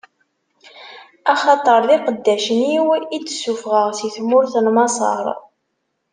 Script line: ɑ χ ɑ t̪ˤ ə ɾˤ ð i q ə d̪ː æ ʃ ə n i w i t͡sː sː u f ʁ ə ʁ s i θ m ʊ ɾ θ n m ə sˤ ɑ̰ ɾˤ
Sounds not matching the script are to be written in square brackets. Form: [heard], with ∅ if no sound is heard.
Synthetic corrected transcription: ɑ χ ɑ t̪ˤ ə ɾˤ ð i q ə d̪ː æ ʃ ə n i w i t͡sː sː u f ʁ ə ʁ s i θ m ʊ ɾ θ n m [ɑ] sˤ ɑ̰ ɾˤ